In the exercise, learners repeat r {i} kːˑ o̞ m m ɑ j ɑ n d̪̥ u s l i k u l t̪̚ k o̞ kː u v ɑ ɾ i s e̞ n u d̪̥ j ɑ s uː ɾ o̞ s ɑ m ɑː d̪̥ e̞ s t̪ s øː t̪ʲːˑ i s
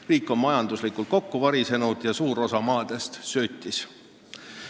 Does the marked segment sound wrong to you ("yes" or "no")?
yes